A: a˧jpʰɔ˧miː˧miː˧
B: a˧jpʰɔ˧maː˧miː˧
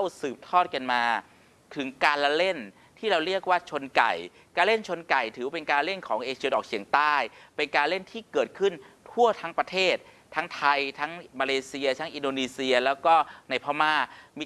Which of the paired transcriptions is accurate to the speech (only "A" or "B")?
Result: B